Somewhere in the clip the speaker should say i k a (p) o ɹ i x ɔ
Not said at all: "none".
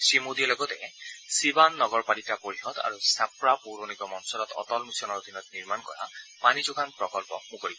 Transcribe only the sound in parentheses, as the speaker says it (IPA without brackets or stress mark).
p